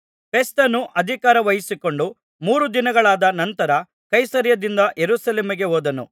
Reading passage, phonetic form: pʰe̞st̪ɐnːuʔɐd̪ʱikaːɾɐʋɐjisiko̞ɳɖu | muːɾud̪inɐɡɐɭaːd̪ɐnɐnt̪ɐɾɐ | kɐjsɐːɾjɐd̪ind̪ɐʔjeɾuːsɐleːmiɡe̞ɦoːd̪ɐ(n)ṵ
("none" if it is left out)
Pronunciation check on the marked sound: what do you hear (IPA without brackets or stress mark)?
n